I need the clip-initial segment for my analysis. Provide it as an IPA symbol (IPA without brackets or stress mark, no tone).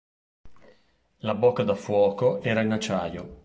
l